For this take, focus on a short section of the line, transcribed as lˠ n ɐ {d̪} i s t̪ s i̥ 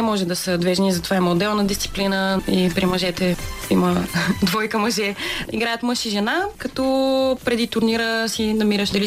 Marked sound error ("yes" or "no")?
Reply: no